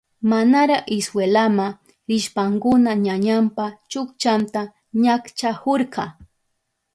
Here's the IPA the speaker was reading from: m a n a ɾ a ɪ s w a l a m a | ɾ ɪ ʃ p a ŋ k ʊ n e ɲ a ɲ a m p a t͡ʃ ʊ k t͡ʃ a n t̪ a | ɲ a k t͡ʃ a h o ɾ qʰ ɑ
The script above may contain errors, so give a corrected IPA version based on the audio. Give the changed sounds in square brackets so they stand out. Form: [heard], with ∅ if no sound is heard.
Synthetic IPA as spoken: m a n a ɾ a ɪ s w [e] l a m a | ɾ ɪ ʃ p a ŋ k ʊ n [a] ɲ a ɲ a m p a t͡ʃ ʊ k t͡ʃ a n t̪ a | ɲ a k t͡ʃ a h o ɾ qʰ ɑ